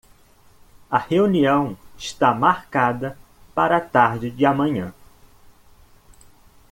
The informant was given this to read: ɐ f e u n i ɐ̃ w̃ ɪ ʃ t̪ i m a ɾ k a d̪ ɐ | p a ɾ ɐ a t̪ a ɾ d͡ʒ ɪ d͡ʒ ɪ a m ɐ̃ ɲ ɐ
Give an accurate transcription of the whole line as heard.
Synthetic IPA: ɐ h e u n i ɐ̃ w̃ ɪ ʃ t̪ a m a ɾ k a d̪ ɐ | p a ɾ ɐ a t̪ a ɾ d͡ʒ ɪ d͡ʒ ɪ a m ɐ̃ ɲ ɐ̃